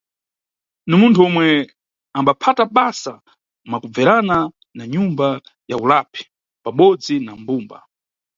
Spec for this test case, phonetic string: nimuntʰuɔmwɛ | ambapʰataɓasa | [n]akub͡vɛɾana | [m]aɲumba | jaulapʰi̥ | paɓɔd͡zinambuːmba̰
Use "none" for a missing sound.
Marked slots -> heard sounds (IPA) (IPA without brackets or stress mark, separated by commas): m, n